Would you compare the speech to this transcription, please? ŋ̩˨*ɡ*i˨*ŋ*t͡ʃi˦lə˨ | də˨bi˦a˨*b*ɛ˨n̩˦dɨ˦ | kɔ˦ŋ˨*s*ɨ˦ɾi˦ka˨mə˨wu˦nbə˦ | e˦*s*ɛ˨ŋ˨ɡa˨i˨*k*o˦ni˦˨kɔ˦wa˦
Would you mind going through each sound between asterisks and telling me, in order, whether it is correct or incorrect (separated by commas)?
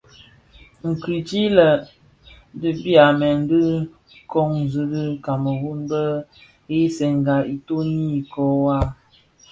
incorrect, incorrect, incorrect, incorrect, correct, incorrect